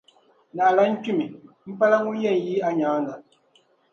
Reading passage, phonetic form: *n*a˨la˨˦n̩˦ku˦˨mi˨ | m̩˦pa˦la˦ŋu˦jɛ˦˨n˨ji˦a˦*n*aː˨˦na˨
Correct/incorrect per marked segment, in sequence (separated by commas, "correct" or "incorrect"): correct, incorrect